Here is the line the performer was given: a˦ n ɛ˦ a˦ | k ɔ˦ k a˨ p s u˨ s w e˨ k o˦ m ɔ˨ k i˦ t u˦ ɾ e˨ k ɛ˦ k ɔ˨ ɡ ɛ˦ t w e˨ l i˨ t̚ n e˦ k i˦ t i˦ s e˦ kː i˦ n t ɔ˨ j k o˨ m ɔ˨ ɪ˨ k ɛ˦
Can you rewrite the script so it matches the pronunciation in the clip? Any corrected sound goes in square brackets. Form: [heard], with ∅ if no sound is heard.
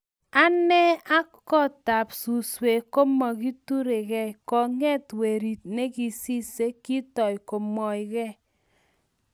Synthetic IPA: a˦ n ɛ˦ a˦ | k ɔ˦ [t] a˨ p s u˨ s w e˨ k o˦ m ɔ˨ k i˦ t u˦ ɾ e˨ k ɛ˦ k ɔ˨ [ŋ] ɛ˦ t w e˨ [ɾ] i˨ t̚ n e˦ k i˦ [s] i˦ s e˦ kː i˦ [∅] t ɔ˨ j k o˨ m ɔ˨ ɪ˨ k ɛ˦